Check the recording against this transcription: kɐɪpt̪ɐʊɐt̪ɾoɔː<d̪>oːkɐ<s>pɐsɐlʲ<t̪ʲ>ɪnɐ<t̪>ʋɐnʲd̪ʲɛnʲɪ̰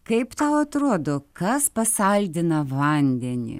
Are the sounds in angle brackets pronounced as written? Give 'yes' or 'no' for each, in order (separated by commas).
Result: yes, yes, no, no